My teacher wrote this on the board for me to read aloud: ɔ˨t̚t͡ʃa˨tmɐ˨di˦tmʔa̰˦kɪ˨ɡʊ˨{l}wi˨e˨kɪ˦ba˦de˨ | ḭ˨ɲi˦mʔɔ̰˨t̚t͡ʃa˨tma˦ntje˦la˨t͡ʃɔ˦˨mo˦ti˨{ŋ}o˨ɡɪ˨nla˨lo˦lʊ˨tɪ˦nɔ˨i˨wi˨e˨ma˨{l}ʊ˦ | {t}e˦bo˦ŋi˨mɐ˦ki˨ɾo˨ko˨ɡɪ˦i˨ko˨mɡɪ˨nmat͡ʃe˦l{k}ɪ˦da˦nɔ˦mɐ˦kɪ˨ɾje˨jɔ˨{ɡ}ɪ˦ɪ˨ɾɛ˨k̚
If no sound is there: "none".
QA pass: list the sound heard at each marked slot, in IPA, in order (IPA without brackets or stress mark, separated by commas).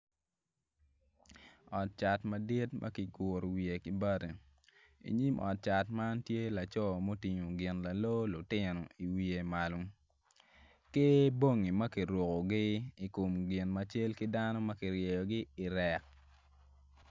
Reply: ɾ, ɲ, l, k, k, ɡ